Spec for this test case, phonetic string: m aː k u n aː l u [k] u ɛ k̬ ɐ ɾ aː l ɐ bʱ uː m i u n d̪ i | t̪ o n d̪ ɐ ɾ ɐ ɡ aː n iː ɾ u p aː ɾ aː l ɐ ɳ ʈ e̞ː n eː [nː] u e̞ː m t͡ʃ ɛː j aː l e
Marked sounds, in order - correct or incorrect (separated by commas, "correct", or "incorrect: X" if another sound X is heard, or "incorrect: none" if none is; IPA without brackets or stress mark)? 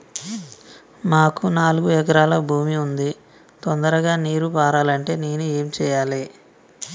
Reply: incorrect: ɡ, incorrect: n